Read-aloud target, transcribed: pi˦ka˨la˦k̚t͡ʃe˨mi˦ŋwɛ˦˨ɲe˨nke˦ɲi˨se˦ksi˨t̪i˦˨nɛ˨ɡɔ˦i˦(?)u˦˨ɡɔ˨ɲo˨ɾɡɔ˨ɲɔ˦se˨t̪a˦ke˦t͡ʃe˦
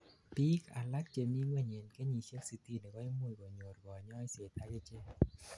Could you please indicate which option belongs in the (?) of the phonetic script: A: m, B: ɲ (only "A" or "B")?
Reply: A